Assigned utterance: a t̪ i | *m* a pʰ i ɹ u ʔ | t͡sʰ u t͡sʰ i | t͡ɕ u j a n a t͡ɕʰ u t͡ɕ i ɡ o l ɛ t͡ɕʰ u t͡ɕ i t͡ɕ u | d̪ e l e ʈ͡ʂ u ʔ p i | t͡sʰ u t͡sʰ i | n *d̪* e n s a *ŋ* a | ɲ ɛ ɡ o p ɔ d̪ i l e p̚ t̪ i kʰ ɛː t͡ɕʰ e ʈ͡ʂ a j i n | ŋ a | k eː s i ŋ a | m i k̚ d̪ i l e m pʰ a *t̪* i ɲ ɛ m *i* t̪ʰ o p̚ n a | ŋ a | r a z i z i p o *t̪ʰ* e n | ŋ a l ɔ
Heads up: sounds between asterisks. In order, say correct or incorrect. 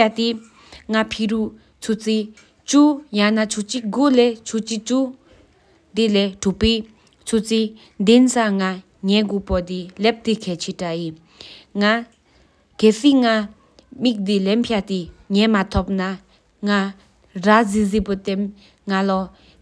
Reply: incorrect, correct, correct, correct, incorrect, incorrect

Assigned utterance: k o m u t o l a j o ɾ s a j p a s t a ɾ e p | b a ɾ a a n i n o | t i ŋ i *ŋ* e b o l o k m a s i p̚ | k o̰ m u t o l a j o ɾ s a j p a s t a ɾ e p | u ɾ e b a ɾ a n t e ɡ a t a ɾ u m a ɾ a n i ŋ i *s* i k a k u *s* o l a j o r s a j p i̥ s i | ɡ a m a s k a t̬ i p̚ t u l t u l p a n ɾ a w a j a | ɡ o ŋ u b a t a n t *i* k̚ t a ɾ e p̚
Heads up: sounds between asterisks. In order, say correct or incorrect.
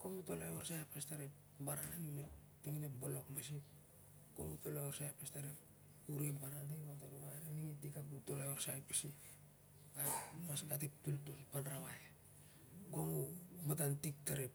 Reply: incorrect, incorrect, incorrect, correct

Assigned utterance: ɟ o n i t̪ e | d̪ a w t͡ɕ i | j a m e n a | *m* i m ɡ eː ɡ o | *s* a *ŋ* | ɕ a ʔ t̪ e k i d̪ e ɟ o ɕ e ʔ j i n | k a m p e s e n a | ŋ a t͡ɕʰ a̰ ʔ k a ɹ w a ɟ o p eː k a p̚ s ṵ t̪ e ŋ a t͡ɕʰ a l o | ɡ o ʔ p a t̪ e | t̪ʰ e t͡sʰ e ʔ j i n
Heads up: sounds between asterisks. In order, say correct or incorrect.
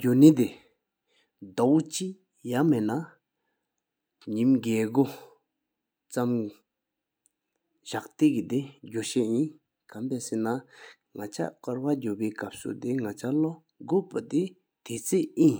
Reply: incorrect, incorrect, incorrect

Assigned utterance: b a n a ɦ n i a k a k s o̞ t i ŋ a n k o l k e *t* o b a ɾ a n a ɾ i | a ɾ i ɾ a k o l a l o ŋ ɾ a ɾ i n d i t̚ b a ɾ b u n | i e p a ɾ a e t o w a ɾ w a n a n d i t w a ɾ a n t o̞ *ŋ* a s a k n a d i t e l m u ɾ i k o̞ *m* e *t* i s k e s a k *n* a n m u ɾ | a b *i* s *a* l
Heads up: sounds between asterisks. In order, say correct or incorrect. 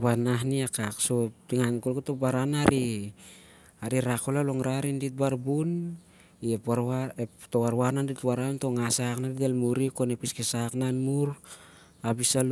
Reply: correct, correct, incorrect, incorrect, correct, correct, correct

